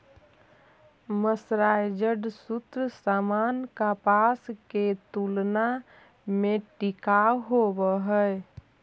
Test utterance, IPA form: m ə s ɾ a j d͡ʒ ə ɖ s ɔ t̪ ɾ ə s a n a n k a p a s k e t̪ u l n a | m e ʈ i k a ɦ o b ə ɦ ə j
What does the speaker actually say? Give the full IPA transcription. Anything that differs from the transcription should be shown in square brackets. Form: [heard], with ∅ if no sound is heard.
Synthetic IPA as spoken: m ə s ɾ a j d͡ʒ ə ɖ s [u] t̪ ɾ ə s a [m] a n k a p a s k e t̪ u l n a | m e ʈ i k a ɦ o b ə ɦ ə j